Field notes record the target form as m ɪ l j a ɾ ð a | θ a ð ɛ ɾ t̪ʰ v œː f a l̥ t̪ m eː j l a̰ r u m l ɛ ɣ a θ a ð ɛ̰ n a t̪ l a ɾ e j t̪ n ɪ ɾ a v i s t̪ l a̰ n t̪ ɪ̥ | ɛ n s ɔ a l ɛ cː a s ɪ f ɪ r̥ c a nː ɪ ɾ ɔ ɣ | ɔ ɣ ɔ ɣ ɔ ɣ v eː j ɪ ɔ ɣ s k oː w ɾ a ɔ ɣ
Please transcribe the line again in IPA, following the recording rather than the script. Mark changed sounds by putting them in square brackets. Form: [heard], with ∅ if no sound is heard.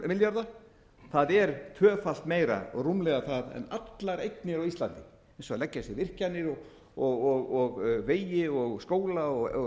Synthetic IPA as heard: m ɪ l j a ɾ ð a | θ a ð ɛ ɾ t̪ʰ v œː f a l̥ t̪ m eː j [ɾ] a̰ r u m l ɛ ɣ a θ a ð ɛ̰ n a t̪ l a ɾ e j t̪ n ɪ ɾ a [w] i s t̪ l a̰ n t̪ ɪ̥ | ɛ n s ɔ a l ɛ cː a s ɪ [v] ɪ r̥ c a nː ɪ ɾ ɔ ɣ | ɔ ɣ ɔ ɣ ɔ ɣ v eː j ɪ ɔ ɣ s k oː w [l] a ɔ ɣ